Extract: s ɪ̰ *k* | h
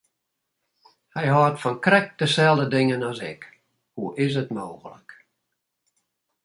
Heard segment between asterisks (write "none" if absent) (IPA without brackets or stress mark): k